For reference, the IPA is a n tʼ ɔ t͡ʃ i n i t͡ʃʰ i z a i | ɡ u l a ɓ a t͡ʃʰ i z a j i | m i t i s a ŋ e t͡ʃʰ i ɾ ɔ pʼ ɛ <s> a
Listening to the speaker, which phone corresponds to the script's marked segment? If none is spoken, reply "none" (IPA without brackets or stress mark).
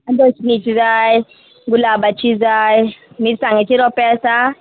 s